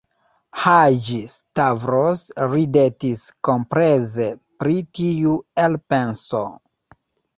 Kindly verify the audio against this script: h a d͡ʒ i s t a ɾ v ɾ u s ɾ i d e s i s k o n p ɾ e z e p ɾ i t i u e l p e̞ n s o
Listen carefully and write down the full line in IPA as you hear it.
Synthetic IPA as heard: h a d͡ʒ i s t a v ɾ o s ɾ i d e t i s k o m p ɾ e z e p ɾ i t i u e l p e̞ n s o